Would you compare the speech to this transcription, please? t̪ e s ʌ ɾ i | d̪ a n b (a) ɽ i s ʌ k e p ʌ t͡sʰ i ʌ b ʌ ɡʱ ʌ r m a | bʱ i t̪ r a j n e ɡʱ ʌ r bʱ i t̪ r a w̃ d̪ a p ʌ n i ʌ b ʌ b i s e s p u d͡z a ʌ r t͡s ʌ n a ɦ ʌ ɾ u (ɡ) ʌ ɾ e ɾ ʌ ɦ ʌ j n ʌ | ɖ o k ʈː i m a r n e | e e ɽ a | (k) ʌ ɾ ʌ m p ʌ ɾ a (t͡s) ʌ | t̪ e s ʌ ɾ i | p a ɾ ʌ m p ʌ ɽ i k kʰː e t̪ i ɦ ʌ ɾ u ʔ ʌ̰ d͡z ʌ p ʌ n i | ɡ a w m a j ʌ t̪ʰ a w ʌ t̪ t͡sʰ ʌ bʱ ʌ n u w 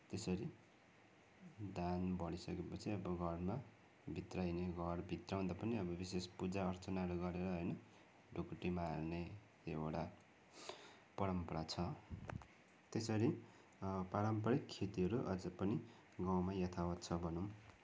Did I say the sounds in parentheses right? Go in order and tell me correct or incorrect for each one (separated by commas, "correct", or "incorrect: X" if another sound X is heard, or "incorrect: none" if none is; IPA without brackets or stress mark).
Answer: incorrect: ʌ, correct, incorrect: p, incorrect: t͡sʰ